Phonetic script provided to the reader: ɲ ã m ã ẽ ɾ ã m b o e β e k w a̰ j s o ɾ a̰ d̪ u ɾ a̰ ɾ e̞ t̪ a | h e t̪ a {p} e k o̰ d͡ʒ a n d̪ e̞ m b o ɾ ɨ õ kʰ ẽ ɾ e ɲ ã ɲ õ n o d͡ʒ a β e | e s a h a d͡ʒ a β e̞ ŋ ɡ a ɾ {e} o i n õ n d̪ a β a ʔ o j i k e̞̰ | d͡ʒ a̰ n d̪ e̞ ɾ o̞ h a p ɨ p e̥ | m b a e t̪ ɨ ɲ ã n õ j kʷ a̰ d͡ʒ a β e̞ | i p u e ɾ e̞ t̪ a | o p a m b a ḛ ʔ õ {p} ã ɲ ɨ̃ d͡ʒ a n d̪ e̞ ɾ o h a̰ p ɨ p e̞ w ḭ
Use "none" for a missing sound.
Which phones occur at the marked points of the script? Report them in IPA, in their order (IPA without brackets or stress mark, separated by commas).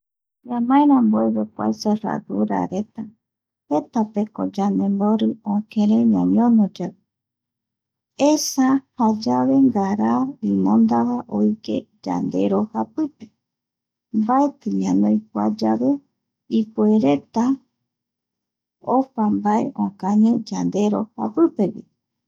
p, a, k